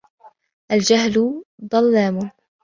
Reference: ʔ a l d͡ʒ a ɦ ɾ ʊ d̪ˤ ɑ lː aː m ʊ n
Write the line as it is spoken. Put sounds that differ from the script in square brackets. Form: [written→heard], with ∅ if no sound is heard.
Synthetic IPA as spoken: ʔ a l d͡ʒ a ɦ [ɾ→l] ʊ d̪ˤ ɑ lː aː m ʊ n